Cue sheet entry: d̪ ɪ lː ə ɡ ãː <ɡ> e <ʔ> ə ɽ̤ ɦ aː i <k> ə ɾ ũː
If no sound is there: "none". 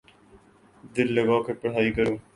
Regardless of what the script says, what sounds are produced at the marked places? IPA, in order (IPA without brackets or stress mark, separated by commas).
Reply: k, p, k